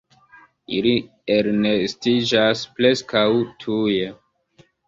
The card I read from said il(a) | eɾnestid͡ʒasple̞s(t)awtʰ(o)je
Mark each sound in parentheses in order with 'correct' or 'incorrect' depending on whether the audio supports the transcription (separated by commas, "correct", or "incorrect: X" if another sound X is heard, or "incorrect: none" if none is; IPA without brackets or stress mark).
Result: incorrect: i, incorrect: k, incorrect: u